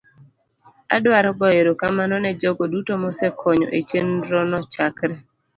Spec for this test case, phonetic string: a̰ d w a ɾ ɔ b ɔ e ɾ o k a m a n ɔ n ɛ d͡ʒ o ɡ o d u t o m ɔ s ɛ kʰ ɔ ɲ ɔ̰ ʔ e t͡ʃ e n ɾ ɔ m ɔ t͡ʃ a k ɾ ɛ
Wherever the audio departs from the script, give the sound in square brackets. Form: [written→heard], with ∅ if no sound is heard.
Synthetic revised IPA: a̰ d w a ɾ ɔ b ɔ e ɾ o k a m a n ɔ n ɛ d͡ʒ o ɡ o d u t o m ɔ s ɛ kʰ ɔ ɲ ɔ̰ ʔ e t͡ʃ e n ɾ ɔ [m→n] ɔ t͡ʃ a k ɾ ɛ